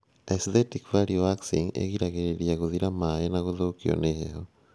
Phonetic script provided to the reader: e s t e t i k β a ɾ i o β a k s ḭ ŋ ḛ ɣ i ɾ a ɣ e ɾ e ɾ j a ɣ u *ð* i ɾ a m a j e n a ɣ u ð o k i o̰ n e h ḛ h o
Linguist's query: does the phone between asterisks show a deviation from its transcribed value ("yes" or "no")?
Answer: no